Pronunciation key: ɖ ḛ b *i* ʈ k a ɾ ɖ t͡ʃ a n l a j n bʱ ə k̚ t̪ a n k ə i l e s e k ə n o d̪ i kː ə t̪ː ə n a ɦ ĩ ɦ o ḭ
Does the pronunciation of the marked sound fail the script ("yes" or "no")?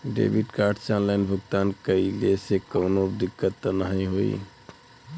no